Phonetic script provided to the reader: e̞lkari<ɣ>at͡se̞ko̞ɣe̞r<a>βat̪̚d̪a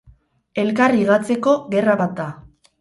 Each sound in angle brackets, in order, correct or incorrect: correct, correct

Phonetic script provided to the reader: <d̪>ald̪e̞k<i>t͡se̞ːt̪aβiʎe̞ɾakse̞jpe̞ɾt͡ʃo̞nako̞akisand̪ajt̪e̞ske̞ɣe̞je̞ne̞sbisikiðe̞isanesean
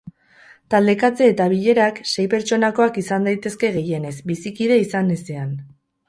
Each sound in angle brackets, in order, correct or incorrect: incorrect, incorrect

